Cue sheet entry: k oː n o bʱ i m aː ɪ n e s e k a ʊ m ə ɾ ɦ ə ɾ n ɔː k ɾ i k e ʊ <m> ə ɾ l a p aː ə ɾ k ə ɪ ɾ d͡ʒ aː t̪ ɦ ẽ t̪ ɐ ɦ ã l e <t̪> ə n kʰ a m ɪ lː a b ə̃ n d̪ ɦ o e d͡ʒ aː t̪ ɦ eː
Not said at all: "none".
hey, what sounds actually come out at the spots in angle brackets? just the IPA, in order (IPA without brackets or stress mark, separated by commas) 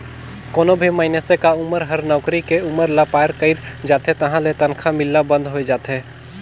m, t̪